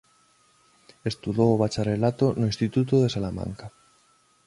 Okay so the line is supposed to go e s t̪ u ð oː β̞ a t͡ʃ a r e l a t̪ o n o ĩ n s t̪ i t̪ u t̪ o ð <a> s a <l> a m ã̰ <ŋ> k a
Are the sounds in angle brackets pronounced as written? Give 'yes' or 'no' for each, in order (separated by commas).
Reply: no, yes, yes